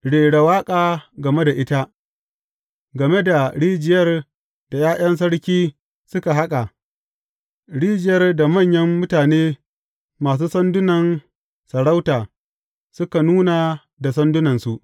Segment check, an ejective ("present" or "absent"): present